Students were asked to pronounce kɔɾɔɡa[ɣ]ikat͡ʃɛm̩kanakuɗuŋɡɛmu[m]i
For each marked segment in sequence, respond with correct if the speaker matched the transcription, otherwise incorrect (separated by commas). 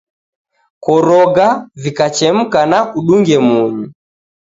incorrect, incorrect